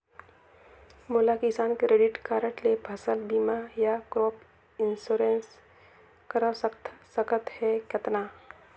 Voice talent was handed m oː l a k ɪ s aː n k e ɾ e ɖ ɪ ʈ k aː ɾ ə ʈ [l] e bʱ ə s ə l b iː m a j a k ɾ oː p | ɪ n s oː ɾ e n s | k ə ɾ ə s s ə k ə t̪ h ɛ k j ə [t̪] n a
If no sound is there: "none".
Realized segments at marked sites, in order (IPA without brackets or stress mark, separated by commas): l, t̪